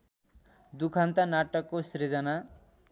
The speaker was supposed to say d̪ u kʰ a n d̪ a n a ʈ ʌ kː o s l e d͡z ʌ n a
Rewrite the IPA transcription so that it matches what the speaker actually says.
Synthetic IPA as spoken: d̪ u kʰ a n t̪ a n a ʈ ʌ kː o s ɾ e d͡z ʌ n a